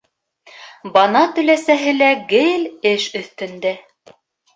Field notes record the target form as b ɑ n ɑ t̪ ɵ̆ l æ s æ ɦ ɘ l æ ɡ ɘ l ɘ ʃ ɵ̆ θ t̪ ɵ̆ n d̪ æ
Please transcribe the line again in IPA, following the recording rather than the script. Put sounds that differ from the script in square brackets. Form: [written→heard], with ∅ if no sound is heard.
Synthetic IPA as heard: b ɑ n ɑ t̪ ɵ̆ l æ s æ ɦ ɘ l æ ɡ ɘ l ɘ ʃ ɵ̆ θ t̪ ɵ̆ n d̪ æ